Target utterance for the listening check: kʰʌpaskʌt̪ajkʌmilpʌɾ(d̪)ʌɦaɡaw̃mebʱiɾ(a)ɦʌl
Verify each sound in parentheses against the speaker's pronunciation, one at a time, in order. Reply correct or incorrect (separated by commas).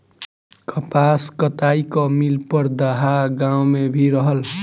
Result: correct, incorrect